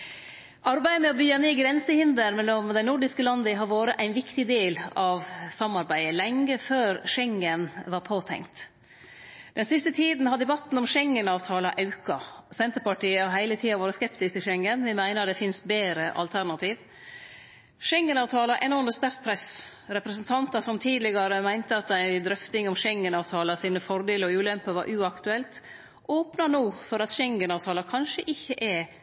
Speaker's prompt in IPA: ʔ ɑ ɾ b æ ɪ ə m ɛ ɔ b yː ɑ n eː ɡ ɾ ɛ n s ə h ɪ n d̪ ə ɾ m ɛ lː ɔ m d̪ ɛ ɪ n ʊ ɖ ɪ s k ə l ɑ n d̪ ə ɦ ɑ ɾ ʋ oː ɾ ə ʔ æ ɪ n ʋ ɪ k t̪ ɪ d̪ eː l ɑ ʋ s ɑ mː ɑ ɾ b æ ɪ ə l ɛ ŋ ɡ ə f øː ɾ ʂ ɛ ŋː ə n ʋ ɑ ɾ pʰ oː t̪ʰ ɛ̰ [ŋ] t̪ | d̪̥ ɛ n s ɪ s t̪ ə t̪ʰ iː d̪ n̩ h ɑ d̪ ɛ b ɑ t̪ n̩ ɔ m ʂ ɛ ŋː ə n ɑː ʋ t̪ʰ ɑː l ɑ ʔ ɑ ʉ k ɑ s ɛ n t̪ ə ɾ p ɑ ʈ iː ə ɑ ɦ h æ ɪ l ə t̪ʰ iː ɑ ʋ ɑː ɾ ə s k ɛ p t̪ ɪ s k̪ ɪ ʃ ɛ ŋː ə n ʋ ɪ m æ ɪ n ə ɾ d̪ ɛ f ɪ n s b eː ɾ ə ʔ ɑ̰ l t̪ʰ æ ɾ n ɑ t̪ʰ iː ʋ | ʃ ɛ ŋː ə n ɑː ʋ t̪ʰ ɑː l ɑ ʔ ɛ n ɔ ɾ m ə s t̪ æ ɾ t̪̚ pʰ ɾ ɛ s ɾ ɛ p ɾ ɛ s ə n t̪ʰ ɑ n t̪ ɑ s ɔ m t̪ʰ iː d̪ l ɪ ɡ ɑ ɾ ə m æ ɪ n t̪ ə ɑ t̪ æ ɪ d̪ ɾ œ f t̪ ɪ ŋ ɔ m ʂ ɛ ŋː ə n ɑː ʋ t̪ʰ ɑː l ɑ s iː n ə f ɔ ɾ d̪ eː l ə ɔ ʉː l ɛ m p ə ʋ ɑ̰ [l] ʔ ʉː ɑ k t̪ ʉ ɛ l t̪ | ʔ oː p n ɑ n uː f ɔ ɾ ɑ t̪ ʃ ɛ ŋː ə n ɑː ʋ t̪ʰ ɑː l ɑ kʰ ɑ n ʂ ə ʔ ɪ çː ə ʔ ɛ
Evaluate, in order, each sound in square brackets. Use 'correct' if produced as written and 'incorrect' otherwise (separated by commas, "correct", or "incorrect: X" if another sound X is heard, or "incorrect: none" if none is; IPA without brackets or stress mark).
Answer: correct, incorrect: ɾ